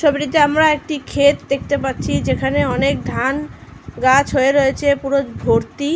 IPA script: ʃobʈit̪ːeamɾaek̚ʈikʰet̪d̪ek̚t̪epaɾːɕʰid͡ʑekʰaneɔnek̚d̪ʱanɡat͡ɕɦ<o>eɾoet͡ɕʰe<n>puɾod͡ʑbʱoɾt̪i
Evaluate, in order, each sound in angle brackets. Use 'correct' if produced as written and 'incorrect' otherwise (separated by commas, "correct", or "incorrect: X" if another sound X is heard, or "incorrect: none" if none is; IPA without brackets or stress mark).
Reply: correct, incorrect: none